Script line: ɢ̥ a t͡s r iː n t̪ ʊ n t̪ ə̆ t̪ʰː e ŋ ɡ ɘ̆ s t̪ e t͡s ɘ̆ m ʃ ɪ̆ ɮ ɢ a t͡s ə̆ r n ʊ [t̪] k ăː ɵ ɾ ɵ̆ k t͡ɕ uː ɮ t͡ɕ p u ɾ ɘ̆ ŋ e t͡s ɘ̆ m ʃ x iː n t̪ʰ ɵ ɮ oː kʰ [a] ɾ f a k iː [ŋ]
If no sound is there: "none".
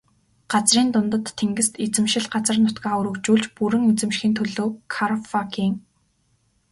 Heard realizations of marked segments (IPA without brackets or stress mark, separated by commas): t̪, a, ŋ